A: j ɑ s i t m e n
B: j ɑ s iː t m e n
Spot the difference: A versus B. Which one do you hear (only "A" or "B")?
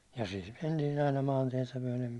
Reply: B